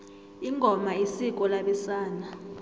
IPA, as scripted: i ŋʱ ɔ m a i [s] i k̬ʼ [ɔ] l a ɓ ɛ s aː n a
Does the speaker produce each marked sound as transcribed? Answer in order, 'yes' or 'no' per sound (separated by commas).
yes, yes